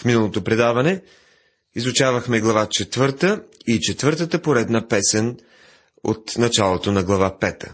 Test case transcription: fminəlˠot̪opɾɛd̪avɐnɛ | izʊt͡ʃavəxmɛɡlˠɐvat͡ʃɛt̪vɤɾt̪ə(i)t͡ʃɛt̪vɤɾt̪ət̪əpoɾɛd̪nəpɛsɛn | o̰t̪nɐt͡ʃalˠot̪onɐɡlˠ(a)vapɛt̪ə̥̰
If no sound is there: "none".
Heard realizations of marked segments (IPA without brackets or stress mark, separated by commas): i, ɐ